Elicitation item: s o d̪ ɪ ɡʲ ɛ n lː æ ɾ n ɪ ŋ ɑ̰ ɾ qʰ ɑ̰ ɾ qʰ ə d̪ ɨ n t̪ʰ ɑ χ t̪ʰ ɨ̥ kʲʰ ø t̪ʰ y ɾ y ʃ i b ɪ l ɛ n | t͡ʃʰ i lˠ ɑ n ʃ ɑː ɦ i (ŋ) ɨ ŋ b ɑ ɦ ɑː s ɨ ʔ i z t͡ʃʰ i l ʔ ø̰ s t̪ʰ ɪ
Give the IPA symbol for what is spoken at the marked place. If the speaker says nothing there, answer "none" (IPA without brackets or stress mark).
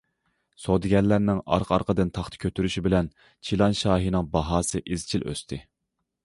n